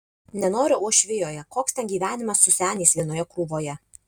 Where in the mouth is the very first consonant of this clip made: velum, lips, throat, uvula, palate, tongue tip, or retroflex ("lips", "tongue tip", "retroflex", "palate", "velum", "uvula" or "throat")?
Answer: tongue tip